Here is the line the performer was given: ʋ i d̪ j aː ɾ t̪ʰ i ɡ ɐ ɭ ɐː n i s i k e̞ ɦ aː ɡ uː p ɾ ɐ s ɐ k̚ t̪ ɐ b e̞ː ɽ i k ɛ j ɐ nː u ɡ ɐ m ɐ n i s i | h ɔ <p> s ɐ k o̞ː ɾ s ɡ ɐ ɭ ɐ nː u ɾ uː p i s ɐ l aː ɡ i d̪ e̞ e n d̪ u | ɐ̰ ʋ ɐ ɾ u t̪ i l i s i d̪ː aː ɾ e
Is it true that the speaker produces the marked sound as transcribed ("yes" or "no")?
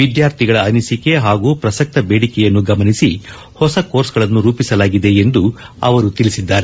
no